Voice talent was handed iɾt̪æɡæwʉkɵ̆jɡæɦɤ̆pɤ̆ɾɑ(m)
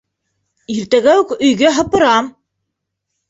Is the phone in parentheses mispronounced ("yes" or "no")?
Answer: no